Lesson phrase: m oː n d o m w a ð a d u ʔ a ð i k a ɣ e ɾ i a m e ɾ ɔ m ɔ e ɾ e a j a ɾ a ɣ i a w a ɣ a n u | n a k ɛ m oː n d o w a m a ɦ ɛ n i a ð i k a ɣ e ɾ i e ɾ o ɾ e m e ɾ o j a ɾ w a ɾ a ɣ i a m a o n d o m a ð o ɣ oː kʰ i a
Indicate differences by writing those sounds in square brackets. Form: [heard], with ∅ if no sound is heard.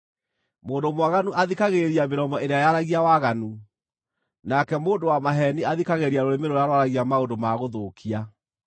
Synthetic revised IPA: m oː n d o m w a [ɣ] a [n] u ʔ a ð i k a ɣ e ɾ i a m e ɾ ɔ m ɔ e ɾ e a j a ɾ a ɣ i a w a ɣ a n u | n a k ɛ m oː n d o w a m a ɦ ɛ n i a ð i k a ɣ e ɾ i [a] ɾ o ɾ e m e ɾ o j a ɾ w a ɾ a ɣ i a m a o n d o m a [ɣ] o [ð] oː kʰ i a